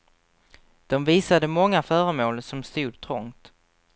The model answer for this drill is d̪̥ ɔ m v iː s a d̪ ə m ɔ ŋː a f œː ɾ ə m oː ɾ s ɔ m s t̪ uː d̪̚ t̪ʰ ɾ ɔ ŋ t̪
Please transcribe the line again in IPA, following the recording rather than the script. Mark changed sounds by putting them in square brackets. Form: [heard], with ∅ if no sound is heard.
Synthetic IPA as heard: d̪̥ ɔ m v iː s a d̪ ə m ɔ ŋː a f œː ɾ ə m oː [l] s ɔ m s t̪ uː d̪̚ t̪ʰ ɾ ɔ ŋ t̪